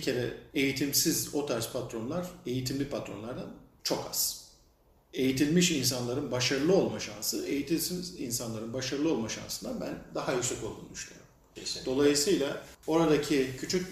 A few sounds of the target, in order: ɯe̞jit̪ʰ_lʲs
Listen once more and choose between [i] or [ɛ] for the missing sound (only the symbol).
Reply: i